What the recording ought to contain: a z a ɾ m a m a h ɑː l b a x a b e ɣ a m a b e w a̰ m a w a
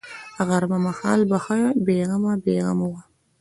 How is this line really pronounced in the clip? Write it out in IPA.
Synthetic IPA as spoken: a ɣ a ɾ m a m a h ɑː l b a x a b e ɣ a m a b e ɣ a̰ m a w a